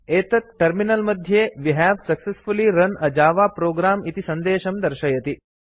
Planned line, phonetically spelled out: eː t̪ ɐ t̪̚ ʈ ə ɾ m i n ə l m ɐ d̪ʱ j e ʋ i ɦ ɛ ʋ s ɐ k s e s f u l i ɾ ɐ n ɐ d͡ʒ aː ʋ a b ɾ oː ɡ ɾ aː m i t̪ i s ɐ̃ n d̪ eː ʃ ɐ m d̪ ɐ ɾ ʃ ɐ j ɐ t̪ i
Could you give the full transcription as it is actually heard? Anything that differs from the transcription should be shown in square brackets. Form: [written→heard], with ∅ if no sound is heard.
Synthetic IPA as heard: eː t̪ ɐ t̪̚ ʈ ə ɾ m i n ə l m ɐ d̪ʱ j e ʋ i ɦ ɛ ʋ s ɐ k s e s f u l i ɾ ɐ n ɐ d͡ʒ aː ʋ a [b→p] ɾ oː ɡ ɾ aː m i t̪ i s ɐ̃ n d̪ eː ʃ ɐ m d̪ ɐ ɾ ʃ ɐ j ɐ t̪ i